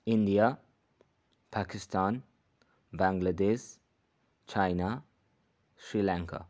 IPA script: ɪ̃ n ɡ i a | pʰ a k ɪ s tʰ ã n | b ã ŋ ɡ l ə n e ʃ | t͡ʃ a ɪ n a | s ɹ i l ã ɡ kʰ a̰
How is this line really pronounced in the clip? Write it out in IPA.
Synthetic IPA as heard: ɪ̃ n d i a | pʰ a k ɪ s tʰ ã n | b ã ŋ ɡ l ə d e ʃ | t͡ʃ a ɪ n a | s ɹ i l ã ŋ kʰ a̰